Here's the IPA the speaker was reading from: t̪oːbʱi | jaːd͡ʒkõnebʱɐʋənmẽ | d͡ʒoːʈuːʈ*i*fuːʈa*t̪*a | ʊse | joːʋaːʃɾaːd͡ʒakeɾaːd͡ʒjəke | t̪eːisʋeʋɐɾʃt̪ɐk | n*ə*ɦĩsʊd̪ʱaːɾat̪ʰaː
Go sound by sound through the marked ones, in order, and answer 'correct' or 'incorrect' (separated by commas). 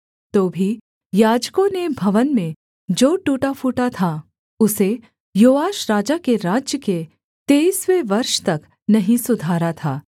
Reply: incorrect, incorrect, incorrect